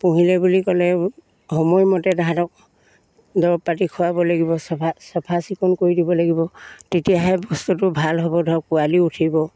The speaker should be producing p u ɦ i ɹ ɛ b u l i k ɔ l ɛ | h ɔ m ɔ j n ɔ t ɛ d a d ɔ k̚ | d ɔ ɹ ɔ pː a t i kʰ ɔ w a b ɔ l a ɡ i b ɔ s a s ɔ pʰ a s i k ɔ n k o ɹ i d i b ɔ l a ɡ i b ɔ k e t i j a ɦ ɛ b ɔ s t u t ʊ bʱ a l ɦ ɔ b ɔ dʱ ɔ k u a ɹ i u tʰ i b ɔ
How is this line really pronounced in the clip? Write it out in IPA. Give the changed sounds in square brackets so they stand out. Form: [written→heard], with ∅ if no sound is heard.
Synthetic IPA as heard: p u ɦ i [ɹ→l] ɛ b u l i k ɔ l ɛ | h ɔ m ɔ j [n→m] ɔ t ɛ d a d ɔ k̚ | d ɔ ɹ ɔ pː a t i kʰ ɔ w a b ɔ l a ɡ i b ɔ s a s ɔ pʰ a s i k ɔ n k o ɹ i d i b ɔ l a ɡ i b ɔ [k→t] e t i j a ɦ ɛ b ɔ s t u t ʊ bʱ a l ɦ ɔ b ɔ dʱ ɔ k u a [ɹ→l] i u tʰ i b ɔ